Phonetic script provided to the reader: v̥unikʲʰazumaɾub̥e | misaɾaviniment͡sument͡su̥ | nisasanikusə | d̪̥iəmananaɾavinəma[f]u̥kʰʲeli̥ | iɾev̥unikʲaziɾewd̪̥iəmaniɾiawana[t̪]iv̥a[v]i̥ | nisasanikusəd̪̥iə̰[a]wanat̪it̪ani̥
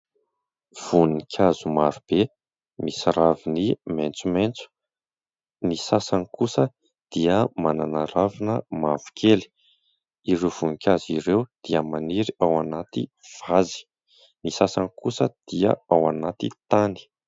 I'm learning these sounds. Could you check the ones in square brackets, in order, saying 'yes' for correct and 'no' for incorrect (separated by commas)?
no, yes, no, yes